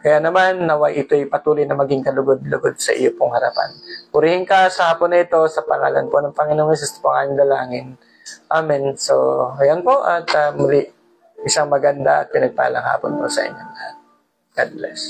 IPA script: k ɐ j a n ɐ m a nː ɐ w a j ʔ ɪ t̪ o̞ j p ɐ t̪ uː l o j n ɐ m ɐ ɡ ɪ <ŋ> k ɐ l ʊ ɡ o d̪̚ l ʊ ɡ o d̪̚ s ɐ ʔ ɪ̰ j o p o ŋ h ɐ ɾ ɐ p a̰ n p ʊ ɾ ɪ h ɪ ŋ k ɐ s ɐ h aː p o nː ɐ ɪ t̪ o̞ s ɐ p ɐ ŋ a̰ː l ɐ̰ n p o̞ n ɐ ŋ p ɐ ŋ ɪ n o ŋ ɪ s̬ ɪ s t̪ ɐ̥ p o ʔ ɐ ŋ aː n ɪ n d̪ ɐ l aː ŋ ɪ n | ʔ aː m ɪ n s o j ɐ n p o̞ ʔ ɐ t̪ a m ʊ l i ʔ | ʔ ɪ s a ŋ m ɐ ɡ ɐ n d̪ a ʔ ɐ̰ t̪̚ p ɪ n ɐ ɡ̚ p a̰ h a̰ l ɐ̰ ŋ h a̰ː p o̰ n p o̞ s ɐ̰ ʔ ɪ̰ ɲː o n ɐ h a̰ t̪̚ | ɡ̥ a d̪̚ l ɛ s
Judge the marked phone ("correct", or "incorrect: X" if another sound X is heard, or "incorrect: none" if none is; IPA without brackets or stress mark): correct